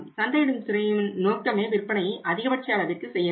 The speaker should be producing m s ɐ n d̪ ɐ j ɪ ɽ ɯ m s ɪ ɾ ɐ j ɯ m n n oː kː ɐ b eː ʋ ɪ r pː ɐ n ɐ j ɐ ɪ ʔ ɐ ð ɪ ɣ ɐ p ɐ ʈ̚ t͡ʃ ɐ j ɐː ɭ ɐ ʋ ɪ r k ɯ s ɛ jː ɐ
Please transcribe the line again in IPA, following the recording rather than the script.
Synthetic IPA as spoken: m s ɐ n d̪ ɐ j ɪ ɽ ɯ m s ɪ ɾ ɐ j ɯ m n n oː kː ɐ m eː ʋ ɪ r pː ɐ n ɐ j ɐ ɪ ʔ ɐ ð ɪ ɣ ɐ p ɐ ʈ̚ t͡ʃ ɐ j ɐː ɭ ɐ ʋ ɪ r k ɯ s ɛ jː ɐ